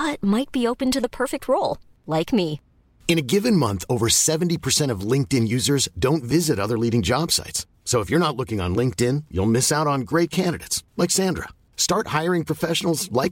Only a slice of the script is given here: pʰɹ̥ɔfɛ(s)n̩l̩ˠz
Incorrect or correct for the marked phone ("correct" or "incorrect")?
incorrect